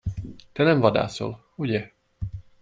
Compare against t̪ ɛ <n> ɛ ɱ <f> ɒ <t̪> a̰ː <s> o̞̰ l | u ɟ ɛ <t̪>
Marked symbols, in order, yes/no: yes, no, no, yes, no

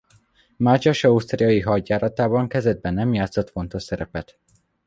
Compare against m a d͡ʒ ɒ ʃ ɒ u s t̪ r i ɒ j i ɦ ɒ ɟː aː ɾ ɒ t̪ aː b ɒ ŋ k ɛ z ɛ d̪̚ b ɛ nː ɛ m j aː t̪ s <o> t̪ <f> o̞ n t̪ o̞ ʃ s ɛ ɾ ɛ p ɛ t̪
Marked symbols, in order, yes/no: yes, yes

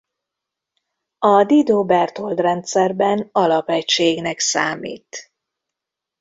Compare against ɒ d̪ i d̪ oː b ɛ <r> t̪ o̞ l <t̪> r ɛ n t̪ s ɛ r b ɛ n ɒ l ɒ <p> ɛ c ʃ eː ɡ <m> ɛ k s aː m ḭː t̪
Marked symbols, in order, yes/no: yes, no, yes, no

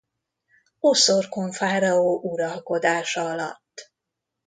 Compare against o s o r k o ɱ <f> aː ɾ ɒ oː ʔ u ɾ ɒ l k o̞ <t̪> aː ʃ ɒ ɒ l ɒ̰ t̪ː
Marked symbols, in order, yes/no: yes, no

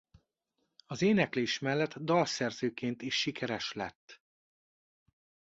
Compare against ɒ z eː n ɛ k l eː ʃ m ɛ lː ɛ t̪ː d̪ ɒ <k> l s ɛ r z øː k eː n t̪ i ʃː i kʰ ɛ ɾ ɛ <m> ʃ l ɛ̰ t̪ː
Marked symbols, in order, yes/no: no, no

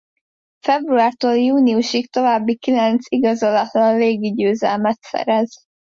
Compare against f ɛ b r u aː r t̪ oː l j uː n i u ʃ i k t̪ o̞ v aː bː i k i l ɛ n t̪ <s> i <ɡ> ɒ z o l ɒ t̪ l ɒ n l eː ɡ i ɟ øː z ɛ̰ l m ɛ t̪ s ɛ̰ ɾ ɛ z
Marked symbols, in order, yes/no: yes, yes

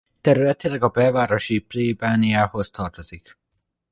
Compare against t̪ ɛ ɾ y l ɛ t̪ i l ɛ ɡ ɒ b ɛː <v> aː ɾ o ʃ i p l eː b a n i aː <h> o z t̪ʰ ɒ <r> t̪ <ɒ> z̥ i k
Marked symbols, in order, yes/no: yes, yes, yes, no

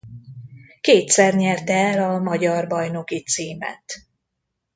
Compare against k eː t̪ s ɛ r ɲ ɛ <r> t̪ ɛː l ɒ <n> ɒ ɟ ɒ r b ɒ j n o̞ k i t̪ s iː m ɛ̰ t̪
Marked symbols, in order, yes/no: yes, no

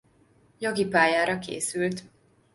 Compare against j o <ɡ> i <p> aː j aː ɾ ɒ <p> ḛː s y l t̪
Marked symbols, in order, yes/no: yes, yes, no

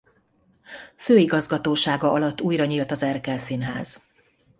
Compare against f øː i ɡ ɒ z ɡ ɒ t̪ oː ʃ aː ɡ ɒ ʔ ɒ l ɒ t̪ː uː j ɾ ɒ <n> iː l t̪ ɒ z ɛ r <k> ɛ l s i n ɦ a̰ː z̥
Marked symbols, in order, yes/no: no, yes

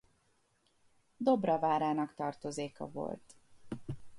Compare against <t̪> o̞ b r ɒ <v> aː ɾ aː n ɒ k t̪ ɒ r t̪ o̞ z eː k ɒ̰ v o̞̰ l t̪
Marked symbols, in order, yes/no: no, yes

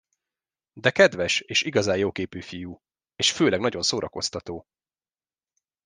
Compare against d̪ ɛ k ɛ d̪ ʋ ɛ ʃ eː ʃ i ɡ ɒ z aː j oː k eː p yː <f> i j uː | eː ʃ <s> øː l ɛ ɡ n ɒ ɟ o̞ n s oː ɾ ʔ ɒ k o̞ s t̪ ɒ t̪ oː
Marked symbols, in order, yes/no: yes, no

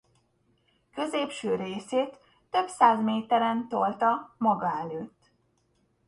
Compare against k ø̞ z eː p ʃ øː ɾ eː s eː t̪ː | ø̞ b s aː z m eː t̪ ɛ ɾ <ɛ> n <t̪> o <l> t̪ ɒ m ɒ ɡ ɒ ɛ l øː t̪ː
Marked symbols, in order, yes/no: yes, yes, yes

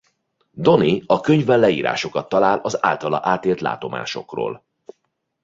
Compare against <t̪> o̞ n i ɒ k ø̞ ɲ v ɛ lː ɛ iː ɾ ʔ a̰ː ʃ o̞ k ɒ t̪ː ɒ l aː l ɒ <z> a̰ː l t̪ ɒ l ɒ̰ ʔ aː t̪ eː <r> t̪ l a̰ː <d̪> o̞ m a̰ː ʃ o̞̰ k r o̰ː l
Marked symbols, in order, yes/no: no, yes, no, no

